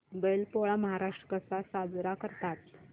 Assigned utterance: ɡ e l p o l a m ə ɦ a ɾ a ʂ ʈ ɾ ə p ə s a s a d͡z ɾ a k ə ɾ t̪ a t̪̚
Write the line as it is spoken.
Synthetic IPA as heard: b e l p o ɭ a m ə ɦ a ɾ a ʂ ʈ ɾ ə k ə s a s a d͡z ɾ a k ə ɾ t̪ a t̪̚